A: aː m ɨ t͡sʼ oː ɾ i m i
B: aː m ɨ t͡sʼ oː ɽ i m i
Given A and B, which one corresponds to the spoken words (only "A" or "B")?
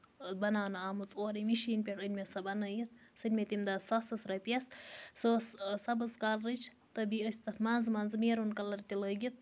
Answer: A